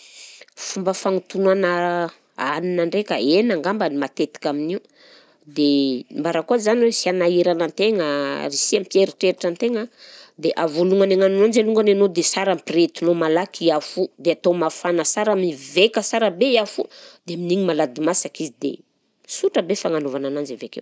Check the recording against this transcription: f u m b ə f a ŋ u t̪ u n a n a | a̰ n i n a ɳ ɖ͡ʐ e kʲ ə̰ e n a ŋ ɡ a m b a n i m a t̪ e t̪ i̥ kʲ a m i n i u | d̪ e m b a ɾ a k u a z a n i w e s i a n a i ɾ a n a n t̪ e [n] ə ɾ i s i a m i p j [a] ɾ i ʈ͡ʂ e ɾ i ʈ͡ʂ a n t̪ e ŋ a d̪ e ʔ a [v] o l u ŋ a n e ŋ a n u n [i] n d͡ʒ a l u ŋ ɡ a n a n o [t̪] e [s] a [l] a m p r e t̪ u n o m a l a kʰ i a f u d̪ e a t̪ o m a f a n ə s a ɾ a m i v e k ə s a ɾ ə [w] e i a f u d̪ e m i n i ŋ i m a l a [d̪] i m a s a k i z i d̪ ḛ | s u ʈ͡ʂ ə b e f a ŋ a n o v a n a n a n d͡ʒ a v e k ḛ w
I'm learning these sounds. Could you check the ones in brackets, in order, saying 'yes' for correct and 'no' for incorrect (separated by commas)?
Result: no, no, yes, no, no, yes, no, no, yes